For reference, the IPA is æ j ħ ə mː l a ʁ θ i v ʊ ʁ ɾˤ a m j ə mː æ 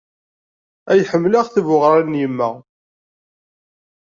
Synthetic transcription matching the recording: æ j ħ ə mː l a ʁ θ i v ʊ ʁ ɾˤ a n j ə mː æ